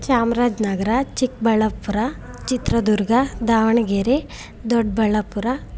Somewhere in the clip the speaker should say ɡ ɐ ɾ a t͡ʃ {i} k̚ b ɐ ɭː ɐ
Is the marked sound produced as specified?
yes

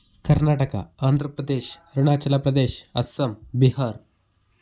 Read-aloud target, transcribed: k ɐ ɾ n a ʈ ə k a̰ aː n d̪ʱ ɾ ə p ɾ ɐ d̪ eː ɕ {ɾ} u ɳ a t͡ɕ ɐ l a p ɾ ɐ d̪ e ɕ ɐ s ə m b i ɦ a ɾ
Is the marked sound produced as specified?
yes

